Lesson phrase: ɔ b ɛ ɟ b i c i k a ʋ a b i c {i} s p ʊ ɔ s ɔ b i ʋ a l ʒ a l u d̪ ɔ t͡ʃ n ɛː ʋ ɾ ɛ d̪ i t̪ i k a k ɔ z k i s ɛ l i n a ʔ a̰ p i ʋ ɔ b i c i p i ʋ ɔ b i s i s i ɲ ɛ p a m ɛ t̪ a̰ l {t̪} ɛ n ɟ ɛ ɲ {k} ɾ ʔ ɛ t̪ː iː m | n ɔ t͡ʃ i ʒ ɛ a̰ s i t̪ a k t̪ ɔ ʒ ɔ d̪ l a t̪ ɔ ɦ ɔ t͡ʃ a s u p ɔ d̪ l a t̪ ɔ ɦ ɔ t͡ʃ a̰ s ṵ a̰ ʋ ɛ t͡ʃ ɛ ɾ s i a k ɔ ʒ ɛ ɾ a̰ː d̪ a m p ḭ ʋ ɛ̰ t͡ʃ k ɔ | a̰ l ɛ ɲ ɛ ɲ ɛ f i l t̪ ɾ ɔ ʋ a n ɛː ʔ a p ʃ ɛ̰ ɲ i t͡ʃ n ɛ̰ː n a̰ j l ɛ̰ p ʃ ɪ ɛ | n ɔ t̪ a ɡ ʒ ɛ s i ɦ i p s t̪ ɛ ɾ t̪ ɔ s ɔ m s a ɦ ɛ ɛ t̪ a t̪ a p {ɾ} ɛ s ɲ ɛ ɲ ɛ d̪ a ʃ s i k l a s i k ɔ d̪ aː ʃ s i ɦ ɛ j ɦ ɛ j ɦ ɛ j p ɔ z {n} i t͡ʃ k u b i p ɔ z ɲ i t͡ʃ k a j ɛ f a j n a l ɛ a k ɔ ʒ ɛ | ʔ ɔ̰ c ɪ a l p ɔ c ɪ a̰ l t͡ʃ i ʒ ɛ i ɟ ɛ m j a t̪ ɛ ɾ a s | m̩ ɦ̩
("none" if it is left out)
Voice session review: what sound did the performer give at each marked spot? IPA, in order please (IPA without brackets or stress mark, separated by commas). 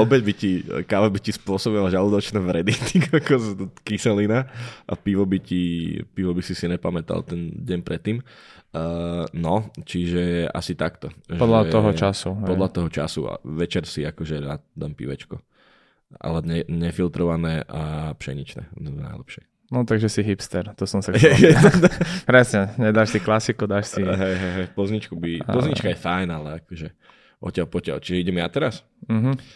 i, t̪, p, ɾ, ɲ